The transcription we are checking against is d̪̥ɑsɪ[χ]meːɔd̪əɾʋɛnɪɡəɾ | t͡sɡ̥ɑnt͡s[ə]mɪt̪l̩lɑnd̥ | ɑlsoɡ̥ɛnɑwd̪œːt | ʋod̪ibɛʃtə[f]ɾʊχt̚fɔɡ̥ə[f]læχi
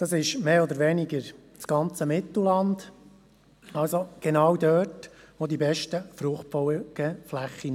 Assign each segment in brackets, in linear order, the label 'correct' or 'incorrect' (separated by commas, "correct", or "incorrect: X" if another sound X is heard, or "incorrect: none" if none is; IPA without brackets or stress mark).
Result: incorrect: ʃ, correct, correct, correct